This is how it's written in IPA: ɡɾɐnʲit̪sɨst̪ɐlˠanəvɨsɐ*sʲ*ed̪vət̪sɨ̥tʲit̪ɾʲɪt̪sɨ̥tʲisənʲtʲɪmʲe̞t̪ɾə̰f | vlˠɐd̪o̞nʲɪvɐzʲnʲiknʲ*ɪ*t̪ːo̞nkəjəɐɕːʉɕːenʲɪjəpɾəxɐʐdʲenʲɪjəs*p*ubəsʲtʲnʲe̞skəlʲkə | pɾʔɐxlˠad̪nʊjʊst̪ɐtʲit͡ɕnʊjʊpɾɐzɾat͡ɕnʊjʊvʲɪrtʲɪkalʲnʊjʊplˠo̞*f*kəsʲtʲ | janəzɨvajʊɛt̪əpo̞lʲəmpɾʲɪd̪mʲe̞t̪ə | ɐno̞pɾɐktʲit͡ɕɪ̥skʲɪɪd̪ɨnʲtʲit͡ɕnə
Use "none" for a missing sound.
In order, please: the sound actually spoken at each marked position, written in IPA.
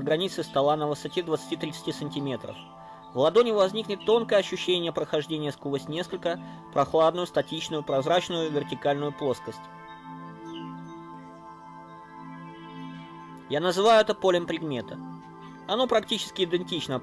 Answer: tʲ, ɪ, k, s

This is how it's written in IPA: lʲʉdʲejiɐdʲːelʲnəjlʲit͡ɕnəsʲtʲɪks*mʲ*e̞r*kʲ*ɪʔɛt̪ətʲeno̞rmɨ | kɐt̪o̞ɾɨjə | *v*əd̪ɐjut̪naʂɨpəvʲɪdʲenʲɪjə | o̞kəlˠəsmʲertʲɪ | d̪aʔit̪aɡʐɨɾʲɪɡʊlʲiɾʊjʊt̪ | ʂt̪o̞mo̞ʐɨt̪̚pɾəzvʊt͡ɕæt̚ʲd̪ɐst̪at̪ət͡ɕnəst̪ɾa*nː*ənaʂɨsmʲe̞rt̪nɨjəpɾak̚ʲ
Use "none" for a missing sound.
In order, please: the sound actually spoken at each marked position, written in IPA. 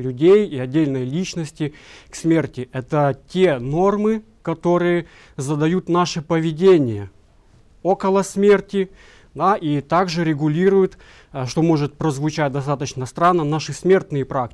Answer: mʲ, tʲ, z, nː

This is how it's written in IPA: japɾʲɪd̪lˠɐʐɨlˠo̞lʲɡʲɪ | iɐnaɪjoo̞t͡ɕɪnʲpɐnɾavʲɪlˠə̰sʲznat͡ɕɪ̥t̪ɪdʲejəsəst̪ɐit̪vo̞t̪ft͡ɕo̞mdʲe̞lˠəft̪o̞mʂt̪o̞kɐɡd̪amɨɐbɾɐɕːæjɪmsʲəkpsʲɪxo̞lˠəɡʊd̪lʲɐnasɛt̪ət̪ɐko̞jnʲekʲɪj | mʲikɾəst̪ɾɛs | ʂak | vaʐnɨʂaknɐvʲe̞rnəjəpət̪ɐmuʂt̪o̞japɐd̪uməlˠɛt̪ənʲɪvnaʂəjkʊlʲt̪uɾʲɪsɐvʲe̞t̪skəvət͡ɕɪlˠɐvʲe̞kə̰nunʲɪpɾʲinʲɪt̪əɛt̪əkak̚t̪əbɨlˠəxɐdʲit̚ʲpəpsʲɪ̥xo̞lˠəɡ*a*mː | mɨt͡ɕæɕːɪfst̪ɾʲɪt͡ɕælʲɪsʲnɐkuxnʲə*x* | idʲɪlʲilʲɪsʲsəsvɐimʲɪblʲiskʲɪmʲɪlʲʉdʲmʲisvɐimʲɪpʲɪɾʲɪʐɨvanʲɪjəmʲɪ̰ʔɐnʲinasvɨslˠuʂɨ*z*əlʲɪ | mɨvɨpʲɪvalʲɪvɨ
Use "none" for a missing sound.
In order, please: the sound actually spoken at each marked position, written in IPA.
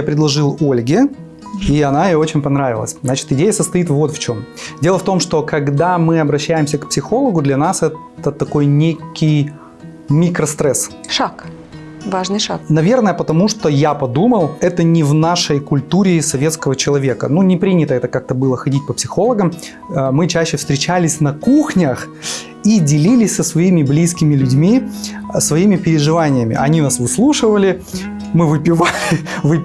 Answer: ə, x, v

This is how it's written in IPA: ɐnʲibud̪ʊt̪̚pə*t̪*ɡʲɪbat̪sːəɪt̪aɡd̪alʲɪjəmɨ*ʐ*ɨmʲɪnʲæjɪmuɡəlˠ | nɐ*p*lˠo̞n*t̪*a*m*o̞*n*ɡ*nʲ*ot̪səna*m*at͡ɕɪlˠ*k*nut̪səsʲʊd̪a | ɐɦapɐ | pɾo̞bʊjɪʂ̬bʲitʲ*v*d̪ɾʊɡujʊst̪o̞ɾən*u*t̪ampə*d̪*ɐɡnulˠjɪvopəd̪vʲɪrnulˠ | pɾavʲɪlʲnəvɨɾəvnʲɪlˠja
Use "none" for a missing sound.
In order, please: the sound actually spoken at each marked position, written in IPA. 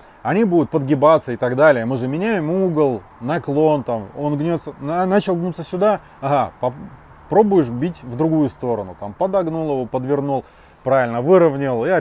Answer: d̪, ʐ, k, t̪, m, n, nʲ, n, ɡ, v, ʊ, d̪

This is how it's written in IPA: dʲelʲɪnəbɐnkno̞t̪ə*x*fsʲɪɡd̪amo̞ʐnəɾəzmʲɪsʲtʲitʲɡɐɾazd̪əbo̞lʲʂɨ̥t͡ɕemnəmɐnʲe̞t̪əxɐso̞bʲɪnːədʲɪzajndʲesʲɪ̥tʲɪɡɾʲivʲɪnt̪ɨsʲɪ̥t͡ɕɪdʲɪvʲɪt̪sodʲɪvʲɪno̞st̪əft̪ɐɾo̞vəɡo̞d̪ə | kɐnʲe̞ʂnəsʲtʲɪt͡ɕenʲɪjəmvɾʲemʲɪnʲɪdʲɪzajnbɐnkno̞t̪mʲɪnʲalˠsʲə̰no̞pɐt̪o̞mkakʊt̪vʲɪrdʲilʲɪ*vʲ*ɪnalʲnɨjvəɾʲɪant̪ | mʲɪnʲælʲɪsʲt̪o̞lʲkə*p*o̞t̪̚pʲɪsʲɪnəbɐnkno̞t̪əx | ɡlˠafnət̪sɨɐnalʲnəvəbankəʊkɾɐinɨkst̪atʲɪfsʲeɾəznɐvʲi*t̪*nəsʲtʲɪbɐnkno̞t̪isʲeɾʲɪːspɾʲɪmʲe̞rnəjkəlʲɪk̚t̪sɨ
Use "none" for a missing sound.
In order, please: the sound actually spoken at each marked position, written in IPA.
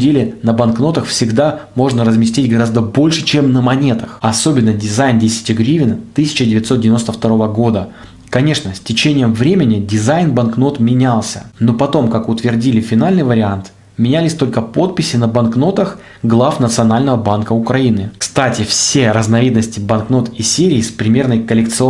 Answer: x, fʲ, p, d̪

